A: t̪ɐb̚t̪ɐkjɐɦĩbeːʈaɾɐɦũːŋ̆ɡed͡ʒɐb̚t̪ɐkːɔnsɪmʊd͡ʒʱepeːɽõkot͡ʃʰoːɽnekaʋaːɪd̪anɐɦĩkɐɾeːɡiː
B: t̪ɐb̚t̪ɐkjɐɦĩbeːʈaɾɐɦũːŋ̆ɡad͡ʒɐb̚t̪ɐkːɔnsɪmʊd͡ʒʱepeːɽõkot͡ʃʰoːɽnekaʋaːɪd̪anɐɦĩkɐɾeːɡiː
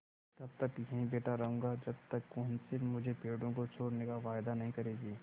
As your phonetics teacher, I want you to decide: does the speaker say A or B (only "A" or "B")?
B